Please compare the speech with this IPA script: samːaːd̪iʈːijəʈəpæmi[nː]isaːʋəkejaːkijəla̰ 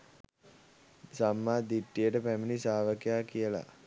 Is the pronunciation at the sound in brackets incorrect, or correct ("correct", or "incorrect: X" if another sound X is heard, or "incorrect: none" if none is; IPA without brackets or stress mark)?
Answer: incorrect: n